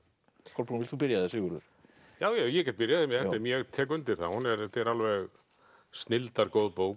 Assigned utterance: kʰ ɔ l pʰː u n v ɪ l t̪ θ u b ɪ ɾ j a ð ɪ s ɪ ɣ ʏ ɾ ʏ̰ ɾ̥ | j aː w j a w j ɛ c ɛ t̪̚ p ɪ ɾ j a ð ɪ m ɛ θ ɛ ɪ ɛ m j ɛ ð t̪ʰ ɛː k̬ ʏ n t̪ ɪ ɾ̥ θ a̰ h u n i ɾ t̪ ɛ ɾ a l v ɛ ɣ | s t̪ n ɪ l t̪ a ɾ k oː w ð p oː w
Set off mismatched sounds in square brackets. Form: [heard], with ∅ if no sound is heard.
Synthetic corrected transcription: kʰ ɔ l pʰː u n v ɪ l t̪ θ u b ɪ ɾ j a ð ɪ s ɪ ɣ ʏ ɾ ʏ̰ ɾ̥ | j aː w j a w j ɛ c ɛ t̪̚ p ɪ ɾ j a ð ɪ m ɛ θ ɛ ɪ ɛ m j ɛ [ɣ] t̪ʰ ɛː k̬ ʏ n t̪ ɪ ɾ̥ θ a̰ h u n [ɛ] ɾ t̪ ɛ ɾ a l v ɛ ɣ | s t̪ n ɪ l t̪ a ɾ k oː w ð p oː w